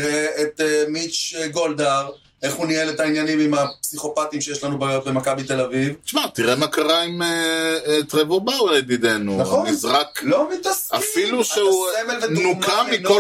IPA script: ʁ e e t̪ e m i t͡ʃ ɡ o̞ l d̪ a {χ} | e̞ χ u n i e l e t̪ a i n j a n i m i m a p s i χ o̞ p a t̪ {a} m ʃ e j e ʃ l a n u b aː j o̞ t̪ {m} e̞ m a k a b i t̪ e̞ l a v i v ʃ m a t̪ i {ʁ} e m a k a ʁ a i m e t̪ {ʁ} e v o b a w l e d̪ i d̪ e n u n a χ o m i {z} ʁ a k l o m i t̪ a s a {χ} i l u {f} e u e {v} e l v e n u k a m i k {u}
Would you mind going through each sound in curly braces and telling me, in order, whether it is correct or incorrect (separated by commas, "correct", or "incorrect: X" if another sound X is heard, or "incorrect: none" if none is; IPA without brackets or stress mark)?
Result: incorrect: ʁ, incorrect: i, incorrect: b, correct, correct, correct, incorrect: f, incorrect: ʃ, correct, incorrect: o